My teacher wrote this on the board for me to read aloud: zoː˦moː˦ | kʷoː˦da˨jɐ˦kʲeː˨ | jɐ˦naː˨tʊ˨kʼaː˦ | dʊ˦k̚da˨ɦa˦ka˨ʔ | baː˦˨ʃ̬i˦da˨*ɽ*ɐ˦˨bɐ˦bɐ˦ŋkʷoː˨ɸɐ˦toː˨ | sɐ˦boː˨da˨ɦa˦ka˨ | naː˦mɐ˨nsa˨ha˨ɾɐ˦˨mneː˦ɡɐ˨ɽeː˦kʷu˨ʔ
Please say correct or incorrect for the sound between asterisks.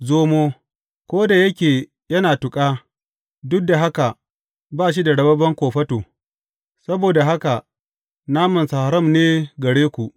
correct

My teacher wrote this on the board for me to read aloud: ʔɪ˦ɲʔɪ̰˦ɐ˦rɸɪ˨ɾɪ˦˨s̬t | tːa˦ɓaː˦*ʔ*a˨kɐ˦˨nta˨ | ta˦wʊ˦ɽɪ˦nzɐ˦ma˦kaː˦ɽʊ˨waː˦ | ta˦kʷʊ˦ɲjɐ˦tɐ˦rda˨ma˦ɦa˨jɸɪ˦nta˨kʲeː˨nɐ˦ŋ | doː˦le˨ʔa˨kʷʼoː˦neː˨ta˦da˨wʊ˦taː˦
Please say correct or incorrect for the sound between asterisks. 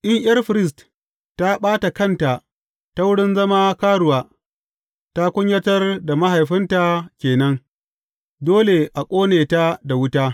incorrect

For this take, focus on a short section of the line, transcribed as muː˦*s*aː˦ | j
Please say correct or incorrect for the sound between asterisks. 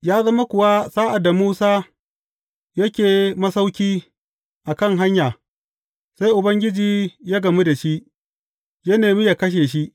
correct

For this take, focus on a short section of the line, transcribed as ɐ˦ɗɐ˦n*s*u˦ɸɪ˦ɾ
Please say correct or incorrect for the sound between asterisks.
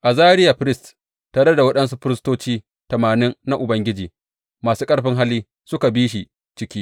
correct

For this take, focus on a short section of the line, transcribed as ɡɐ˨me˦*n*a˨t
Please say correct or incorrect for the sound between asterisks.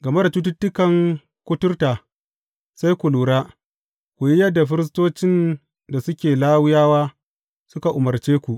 incorrect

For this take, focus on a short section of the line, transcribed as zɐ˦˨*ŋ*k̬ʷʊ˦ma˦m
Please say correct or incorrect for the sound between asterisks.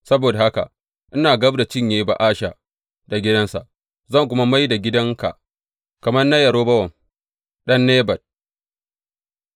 correct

